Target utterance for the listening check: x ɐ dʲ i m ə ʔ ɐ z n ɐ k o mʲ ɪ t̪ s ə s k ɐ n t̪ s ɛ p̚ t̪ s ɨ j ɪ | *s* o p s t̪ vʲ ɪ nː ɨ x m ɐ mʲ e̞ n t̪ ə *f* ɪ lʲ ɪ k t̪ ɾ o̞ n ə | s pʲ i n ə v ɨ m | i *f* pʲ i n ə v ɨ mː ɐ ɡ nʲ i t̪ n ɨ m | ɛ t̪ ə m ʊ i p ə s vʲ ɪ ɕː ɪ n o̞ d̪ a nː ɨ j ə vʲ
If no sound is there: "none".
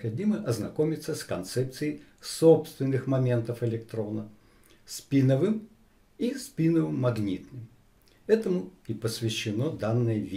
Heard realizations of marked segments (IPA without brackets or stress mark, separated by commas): s, f, s